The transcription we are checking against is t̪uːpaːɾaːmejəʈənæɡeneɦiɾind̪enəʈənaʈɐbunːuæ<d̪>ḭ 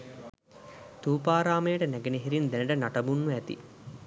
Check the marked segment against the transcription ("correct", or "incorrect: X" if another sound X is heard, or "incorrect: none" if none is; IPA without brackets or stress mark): incorrect: t̪